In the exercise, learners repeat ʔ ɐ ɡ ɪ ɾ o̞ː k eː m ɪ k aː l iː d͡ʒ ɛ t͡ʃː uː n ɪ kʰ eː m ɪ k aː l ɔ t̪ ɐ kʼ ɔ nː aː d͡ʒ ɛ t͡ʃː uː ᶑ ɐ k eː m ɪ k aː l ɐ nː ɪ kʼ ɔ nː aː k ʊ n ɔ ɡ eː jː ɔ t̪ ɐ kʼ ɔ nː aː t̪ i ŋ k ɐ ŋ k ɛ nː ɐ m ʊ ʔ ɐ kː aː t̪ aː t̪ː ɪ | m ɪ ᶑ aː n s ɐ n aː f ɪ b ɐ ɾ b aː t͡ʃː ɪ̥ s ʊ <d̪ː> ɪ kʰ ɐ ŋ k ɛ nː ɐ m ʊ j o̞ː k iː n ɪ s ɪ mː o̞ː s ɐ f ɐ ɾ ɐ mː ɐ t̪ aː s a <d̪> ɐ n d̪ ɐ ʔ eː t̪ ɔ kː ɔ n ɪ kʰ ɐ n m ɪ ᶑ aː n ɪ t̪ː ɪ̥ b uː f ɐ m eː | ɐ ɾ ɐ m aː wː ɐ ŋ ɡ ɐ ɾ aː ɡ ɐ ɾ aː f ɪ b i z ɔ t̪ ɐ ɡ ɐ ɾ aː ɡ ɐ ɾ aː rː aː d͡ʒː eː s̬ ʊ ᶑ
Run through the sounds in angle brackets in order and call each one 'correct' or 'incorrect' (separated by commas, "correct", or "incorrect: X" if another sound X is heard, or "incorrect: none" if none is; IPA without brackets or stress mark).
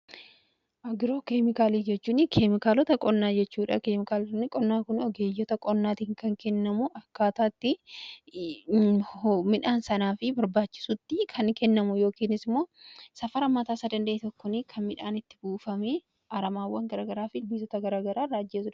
incorrect: t̪ː, correct